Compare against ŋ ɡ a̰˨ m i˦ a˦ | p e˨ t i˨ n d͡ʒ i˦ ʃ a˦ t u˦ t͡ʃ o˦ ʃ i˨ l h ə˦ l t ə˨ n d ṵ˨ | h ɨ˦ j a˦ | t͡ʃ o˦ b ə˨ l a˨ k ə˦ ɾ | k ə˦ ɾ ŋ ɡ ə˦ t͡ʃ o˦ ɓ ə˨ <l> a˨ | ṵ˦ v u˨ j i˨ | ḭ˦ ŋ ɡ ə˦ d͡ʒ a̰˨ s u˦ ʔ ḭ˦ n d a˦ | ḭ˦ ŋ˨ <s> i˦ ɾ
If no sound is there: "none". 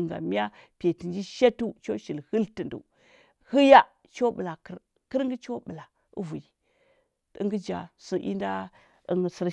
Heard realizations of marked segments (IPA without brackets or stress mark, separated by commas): l, s